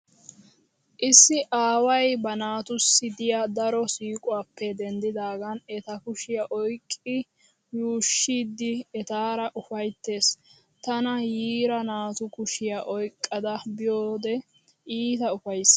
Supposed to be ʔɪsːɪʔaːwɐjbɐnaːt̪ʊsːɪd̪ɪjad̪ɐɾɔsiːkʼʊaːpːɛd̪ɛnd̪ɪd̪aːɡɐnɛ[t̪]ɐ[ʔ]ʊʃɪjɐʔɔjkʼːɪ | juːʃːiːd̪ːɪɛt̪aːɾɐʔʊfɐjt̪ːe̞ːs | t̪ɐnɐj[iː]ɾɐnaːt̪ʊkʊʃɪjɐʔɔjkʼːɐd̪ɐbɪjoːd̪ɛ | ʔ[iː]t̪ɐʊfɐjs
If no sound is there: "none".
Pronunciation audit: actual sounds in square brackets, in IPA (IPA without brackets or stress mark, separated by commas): t̪, k, iː, iː